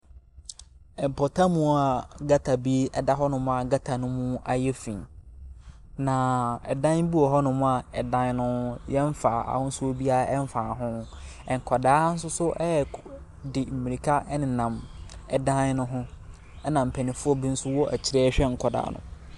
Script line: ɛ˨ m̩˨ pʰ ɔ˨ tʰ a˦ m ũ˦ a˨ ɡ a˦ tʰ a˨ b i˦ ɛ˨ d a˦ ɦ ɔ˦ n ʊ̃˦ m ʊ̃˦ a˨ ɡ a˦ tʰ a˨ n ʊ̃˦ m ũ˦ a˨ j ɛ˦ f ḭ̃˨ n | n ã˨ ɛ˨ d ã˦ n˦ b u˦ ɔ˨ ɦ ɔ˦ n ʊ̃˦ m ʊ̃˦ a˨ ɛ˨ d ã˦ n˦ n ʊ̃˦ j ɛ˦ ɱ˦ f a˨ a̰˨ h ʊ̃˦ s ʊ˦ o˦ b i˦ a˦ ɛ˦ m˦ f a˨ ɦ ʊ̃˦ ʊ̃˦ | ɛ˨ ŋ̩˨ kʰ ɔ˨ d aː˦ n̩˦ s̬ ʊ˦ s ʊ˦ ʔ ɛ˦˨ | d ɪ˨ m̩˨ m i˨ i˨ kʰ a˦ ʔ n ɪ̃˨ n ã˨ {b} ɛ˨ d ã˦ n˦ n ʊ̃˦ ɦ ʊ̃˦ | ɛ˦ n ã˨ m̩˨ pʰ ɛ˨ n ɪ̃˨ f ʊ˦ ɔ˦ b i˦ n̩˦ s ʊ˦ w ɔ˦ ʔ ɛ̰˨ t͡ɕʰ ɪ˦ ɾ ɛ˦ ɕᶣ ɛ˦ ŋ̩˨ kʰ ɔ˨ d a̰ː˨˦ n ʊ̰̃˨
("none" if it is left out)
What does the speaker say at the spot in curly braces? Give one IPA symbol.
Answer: m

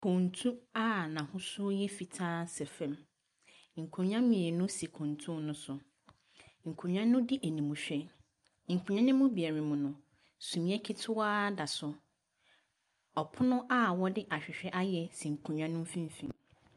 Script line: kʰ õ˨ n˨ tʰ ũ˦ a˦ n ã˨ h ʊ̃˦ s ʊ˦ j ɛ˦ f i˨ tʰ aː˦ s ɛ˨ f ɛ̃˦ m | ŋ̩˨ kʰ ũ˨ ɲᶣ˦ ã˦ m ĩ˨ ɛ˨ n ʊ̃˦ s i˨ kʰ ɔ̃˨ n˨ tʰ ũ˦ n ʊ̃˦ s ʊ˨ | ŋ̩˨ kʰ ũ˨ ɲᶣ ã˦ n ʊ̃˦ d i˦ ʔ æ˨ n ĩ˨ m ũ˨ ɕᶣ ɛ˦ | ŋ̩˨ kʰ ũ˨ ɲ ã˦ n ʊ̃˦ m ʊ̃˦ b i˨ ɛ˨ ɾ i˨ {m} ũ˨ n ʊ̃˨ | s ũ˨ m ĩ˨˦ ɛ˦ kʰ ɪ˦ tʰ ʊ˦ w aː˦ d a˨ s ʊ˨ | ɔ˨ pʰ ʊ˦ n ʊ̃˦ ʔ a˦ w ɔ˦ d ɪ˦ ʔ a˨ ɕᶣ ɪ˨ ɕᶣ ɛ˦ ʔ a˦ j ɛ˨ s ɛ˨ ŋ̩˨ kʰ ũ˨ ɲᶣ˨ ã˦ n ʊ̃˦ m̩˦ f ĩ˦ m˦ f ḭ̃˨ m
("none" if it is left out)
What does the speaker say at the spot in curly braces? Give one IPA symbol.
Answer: m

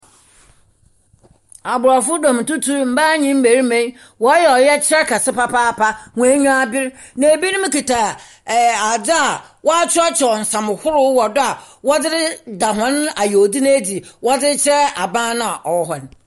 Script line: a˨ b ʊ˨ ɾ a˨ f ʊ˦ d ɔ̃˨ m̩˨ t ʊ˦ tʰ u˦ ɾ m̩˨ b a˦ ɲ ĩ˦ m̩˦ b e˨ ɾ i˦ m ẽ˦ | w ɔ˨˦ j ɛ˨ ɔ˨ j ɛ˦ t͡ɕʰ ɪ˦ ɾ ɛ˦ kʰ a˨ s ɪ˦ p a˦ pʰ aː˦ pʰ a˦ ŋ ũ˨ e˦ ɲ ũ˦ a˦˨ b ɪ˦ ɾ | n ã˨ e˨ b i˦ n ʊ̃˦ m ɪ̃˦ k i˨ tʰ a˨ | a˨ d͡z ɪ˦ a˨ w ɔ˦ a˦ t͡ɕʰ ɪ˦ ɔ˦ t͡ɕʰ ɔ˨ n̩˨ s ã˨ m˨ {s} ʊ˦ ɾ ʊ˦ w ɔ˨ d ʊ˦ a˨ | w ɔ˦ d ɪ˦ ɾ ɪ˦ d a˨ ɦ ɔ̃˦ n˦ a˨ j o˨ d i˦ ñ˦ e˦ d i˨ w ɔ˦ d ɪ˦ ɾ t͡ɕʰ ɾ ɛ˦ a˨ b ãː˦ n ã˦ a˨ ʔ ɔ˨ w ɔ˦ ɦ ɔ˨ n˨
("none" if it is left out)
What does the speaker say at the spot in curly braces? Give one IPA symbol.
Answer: h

